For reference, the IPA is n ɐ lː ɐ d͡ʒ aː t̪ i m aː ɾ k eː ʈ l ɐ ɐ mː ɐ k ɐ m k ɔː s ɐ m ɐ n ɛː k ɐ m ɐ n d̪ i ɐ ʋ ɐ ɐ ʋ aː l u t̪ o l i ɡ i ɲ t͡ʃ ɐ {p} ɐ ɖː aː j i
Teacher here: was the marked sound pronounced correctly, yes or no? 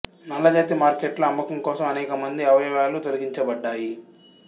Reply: no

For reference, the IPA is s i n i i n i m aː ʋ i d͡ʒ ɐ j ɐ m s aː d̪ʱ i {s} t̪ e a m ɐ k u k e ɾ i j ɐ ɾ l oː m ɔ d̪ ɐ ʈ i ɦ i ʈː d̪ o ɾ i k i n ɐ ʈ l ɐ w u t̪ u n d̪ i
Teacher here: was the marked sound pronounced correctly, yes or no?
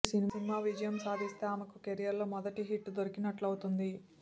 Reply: yes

